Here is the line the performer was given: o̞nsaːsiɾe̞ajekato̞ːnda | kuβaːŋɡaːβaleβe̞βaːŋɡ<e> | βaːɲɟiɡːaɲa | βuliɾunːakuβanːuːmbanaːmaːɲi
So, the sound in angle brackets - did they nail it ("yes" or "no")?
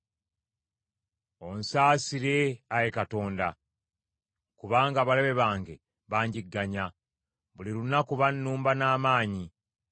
yes